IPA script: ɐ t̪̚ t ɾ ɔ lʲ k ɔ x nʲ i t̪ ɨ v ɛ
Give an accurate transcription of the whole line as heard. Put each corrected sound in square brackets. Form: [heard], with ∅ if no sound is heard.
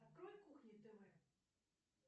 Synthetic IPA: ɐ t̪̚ [k] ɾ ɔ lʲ k [u] x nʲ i t̪ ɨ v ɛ

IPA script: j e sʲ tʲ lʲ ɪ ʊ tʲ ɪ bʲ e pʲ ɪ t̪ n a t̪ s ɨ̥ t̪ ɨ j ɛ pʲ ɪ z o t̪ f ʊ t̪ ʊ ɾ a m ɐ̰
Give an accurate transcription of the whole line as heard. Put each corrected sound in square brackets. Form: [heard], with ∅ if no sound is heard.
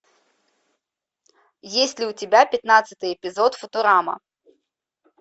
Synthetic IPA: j e sʲ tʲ lʲ ɪ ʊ tʲ ɪ bʲ [a] pʲ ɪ t̪ n a t̪ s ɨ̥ t̪ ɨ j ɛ pʲ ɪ z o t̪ f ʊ t̪ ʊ ɾ a m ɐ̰

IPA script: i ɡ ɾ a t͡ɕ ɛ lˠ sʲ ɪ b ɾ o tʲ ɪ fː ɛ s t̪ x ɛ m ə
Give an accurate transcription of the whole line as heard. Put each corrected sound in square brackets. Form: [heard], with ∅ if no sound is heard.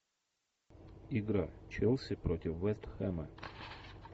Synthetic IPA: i ɡ ɾ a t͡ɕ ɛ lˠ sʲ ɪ [p] ɾ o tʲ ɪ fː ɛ s t̪ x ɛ m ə

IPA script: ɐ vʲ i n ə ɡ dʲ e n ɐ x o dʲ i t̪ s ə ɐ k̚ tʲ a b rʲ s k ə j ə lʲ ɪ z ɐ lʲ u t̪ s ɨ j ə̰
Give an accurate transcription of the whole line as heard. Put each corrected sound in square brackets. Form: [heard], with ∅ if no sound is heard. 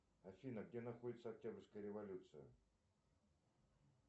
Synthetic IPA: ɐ [fʲ] i n ə ɡ dʲ e n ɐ x o dʲ [ɪ] t̪ s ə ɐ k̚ tʲ a b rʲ s k ə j ə [ɾʲ] ɪ [v] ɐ lʲ u t̪ s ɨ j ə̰

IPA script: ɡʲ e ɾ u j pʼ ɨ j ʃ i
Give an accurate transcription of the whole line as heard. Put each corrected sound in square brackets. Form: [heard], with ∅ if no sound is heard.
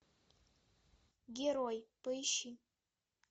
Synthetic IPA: ɡʲ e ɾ [o] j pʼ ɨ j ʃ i

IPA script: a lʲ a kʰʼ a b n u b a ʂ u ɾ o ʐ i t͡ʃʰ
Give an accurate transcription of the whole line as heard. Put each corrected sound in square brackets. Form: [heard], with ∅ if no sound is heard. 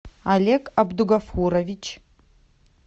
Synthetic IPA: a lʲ [e] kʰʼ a b [d] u [ɡ] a [f] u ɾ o [v] i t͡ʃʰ

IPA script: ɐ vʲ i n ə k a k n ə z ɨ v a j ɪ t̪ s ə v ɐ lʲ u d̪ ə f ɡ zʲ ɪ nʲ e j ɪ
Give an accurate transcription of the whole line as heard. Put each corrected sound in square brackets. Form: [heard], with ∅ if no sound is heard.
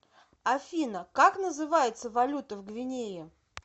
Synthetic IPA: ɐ [fʲ] i n ə k a k n ə z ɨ v a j ɪ t̪ s ə v ɐ lʲ u [t̪] ə [v] ɡ [vʲ] ɪ nʲ e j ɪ

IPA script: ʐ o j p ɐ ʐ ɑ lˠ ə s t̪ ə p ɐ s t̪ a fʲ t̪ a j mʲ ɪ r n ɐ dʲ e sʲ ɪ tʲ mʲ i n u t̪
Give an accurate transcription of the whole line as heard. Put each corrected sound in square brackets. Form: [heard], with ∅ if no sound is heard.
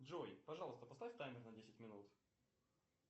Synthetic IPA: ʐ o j p ɐ ʐ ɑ lˠ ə s t̪ ə p ɐ s t̪ a fʲ t̪ a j mʲ ɪ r n ɐ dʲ e sʲ ɪ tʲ mʲ [ɪ] n u t̪

